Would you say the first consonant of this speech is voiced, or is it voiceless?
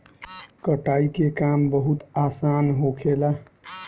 voiceless